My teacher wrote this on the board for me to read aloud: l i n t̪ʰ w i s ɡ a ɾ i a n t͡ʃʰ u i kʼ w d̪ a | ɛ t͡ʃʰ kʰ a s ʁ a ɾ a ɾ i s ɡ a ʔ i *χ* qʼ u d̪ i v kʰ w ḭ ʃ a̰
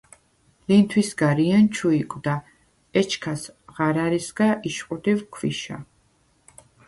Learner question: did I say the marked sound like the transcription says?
no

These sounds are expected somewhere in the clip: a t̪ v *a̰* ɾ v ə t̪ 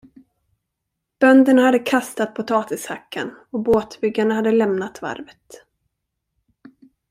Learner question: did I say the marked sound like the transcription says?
yes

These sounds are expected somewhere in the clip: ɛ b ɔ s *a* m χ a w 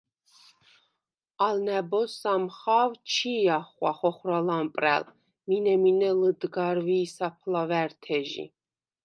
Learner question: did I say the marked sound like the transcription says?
yes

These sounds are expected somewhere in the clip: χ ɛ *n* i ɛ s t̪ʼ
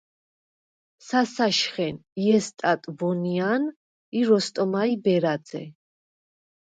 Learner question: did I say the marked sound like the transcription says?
yes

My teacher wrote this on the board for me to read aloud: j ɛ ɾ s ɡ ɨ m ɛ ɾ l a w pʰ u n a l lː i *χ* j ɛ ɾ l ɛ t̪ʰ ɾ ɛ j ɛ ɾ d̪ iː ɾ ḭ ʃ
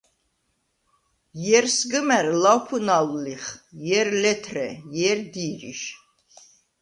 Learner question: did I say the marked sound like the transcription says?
yes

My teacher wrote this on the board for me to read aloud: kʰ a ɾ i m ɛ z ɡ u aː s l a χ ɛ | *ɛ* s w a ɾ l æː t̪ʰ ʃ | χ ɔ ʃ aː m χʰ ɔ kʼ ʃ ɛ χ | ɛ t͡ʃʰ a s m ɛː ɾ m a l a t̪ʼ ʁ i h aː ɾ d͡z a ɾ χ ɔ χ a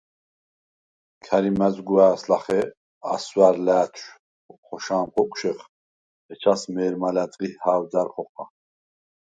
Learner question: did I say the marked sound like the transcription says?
no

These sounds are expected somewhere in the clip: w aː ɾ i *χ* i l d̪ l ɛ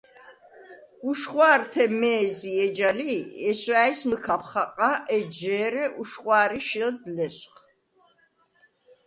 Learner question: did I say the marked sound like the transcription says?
no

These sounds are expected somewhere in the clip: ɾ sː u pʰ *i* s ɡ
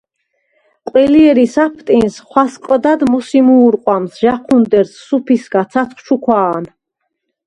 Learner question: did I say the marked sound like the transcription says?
yes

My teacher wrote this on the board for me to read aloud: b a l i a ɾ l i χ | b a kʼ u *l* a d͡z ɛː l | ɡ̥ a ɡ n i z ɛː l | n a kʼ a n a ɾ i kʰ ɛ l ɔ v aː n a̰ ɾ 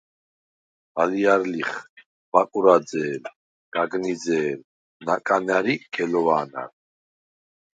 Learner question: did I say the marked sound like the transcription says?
no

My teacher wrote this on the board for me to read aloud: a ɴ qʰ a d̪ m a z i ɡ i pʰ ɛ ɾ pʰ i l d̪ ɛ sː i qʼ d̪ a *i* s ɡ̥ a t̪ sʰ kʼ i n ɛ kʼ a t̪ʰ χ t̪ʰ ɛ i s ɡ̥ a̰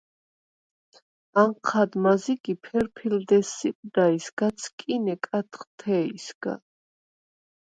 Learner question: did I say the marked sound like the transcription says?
yes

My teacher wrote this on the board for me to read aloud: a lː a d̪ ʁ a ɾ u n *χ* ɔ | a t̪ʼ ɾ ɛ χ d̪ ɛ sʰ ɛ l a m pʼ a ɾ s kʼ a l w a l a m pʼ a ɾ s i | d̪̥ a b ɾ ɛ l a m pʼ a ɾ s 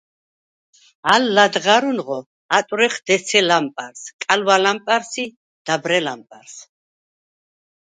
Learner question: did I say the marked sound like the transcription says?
no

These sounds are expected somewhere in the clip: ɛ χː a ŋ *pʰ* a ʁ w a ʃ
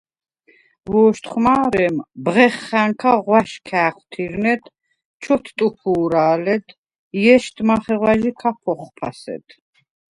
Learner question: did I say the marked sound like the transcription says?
no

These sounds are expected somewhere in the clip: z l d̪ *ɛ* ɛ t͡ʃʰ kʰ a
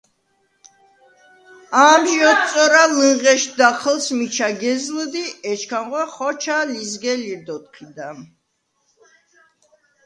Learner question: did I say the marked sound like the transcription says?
no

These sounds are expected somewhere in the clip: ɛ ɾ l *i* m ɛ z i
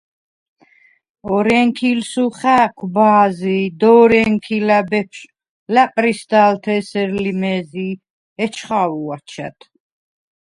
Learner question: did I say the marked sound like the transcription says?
yes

